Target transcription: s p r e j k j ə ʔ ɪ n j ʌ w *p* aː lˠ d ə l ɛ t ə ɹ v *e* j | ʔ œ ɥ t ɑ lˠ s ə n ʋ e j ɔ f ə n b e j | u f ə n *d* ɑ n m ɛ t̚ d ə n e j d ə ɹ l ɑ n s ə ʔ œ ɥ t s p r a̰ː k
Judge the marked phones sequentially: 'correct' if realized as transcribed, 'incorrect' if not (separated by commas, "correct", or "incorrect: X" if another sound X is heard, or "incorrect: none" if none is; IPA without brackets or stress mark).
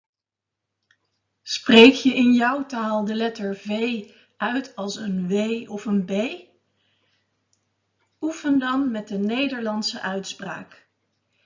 incorrect: t, correct, correct